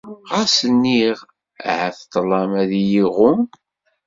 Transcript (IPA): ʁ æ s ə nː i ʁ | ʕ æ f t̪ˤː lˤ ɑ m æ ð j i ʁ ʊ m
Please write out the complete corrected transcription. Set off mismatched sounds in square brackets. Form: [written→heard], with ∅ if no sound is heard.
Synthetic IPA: ʁ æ s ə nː i ʁ | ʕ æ [f→θ] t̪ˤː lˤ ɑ m æ ð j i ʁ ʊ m